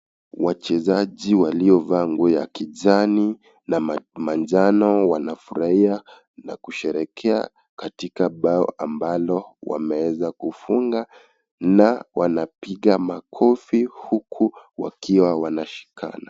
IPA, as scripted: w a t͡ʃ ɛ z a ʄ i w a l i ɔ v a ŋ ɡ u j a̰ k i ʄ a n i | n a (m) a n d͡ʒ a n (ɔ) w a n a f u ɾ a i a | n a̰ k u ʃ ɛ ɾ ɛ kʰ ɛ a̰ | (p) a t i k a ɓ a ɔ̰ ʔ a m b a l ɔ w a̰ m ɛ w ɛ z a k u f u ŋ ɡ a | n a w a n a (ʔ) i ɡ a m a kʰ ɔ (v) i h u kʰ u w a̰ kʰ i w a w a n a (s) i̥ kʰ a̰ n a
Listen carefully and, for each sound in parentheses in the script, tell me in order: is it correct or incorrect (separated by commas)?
correct, correct, incorrect, incorrect, incorrect, incorrect